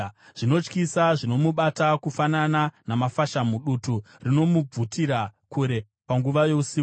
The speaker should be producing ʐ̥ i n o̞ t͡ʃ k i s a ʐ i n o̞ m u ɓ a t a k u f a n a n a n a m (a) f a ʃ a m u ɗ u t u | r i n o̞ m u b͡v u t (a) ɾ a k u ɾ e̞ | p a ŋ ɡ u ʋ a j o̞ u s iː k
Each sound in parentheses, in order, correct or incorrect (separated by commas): correct, incorrect